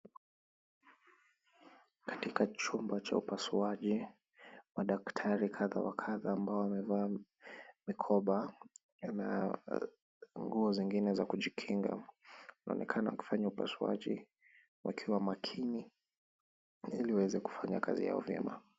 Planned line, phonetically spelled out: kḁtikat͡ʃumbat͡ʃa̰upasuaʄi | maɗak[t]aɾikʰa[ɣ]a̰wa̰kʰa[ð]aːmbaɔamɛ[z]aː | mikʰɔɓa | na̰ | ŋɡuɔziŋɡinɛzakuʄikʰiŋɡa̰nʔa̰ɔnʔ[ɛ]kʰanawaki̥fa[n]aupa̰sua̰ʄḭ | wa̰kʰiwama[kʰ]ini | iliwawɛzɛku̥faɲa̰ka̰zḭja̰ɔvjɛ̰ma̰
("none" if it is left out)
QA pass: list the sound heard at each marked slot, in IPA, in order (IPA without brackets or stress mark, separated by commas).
tʰ, ð, ð, v, ɛ, ɲ, kʰ